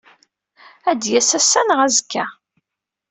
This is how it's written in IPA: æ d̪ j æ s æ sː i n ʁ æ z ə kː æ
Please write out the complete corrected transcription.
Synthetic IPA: æ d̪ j æ s æ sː æ n ʁ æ z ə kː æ

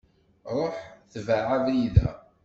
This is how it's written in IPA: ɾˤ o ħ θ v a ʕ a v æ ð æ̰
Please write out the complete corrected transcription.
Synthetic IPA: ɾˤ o ħ θ v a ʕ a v i ð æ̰

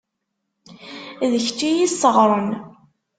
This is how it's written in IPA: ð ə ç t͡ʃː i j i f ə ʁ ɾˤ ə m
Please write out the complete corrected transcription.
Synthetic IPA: ð ə ç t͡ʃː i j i s ə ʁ ɾˤ ə n

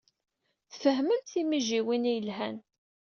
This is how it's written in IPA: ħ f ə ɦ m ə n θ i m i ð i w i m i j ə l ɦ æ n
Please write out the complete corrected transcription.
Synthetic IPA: θ f ə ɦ m ə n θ i m i ʒ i w i n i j ə l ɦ æ n

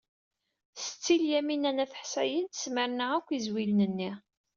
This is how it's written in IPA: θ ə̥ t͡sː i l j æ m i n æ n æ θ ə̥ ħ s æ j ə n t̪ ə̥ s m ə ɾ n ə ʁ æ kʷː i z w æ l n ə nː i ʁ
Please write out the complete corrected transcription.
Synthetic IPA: s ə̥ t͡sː i l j æ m i n æ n æ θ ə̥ ħ s æ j ə n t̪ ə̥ s m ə ɾ n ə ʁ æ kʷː i z w i l n ə nː i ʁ

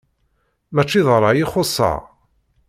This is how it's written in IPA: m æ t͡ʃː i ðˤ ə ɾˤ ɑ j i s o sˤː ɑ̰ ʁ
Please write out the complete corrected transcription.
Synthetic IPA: m æ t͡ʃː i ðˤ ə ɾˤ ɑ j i χ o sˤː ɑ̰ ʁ

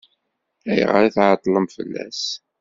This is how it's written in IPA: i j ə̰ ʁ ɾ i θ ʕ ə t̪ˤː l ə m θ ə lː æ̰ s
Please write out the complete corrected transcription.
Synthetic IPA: æ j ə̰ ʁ ɾ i θ ʕ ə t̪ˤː l ə m f ə lː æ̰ s

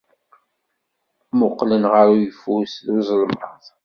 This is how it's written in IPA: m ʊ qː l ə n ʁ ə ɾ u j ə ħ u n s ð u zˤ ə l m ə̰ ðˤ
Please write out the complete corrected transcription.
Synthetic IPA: m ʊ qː l ə n ʁ ə ɾ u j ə f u s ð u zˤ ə l m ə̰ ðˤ

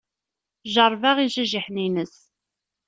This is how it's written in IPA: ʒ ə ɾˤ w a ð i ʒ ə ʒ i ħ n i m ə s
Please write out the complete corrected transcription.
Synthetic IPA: ʒ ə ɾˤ v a ʁ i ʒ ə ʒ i ħ n i n ə s

